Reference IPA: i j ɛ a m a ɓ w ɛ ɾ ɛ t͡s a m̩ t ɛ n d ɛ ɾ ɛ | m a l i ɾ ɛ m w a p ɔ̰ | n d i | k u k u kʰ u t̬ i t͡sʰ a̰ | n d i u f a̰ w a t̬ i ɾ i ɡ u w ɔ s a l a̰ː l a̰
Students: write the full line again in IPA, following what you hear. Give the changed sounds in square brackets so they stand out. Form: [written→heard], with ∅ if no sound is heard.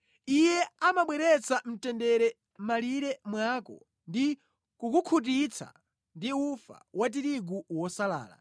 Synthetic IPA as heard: i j ɛ a m a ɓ w ɛ ɾ ɛ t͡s a m̩ t ɛ n d ɛ ɾ ɛ | m a l i ɾ ɛ m w a [p→k] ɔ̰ | n d i | k u k u kʰ u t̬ i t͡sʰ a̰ | n d i u f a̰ w a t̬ i ɾ i ɡ u w ɔ s a l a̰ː l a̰